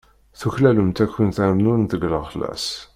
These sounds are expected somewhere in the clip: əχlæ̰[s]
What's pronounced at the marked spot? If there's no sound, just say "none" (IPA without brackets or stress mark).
s